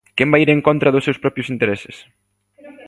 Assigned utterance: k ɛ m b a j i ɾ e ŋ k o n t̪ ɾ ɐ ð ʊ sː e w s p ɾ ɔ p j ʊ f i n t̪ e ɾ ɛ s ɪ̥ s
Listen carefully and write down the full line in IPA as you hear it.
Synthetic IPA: k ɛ m b a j i ɾ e ŋ k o n t̪ ɾ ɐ ð ʊ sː e w s p ɾ ɔ p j ʊ s i n t̪ e ɾ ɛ s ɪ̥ s